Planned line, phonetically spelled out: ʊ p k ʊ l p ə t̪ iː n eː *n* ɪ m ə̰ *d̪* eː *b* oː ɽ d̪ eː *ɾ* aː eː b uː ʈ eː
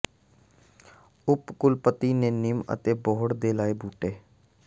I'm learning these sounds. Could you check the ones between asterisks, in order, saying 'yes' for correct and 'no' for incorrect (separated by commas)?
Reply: yes, no, yes, no